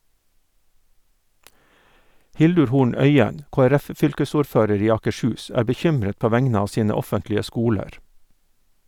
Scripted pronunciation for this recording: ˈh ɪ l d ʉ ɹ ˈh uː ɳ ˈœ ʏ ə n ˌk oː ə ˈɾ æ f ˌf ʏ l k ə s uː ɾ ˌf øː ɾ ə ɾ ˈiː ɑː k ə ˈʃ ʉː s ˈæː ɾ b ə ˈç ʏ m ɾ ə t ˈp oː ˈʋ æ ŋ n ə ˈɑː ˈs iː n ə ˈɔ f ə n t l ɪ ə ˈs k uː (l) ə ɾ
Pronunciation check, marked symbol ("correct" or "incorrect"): correct